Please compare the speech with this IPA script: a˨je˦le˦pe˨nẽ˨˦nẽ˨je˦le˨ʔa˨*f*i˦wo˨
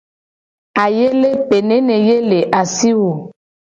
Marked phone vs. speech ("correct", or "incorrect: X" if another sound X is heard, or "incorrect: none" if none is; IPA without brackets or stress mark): incorrect: s